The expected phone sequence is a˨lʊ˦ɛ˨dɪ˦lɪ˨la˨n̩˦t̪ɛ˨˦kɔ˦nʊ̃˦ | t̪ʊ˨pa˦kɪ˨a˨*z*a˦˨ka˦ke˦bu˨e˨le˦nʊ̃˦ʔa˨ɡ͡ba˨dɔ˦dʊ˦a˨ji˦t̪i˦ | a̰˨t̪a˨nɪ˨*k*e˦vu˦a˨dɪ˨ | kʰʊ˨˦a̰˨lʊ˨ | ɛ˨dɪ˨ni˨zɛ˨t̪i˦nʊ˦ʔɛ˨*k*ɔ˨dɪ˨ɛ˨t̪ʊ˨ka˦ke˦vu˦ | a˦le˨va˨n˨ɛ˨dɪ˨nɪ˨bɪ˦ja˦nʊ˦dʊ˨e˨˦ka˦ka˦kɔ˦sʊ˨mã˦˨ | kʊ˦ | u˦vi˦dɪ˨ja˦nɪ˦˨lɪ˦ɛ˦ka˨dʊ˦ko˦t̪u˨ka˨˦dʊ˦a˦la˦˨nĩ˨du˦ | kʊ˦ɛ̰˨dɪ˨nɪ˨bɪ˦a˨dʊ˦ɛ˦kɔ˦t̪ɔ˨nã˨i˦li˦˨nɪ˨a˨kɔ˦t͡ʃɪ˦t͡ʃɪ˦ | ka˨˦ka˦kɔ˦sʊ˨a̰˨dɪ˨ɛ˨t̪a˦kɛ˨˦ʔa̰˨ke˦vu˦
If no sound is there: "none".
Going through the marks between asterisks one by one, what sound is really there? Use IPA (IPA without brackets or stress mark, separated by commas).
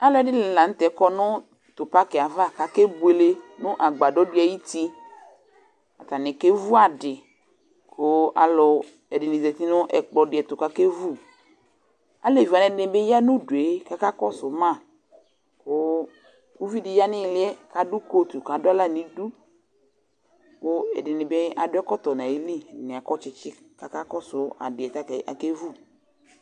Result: v, k, k͡p